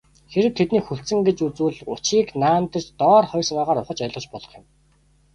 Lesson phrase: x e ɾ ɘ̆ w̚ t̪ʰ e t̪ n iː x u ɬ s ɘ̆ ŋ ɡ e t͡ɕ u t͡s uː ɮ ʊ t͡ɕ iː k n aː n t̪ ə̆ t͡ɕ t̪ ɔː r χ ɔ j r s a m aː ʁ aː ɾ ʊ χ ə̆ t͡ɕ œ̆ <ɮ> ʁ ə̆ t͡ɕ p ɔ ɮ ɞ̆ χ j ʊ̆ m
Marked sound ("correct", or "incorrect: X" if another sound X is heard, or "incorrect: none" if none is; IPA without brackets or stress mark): correct